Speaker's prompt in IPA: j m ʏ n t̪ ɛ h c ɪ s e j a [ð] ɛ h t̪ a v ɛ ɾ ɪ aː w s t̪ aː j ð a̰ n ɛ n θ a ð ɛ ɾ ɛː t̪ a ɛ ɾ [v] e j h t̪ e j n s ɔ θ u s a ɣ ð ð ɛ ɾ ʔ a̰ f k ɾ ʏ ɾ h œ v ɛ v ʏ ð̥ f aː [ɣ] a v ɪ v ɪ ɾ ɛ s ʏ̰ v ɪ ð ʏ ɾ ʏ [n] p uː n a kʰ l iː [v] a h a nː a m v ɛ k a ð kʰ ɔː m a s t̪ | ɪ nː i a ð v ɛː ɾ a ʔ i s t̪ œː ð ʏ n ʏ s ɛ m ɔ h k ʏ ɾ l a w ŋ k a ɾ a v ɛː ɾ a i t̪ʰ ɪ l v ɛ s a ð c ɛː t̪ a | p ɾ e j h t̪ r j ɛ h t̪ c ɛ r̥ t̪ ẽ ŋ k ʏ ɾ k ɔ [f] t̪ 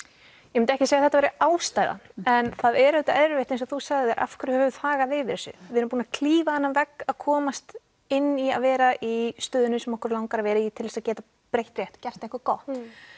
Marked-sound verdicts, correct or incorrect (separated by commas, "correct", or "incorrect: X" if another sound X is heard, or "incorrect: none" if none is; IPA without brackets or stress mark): incorrect: θ, correct, correct, incorrect: m, correct, incorrect: h